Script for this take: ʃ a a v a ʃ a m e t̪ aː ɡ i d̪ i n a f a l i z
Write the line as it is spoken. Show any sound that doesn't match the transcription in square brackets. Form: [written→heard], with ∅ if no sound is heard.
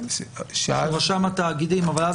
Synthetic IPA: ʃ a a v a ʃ a m [e→a] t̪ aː ɡ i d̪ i [n→m] a [f→v] a l [i→a] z